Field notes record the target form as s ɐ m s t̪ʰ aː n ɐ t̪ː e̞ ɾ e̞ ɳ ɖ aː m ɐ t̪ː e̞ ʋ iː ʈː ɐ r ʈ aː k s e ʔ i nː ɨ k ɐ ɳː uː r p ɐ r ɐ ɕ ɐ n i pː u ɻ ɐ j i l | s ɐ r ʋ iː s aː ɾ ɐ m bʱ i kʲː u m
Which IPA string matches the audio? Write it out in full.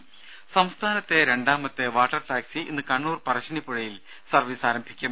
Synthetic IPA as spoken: s ɐ m s t̪ʰ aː n ɐ t̪ː e̞ ɾ e̞ ɳ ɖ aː m ɐ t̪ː e̞ ʋ aː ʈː ɐ r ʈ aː k s i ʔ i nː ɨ k ɐ ɳː uː r p ɐ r ɐ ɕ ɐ n i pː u ɻ ɐ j i l | s ɐ r ʋ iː s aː ɾ ɐ m bʱ i kʲː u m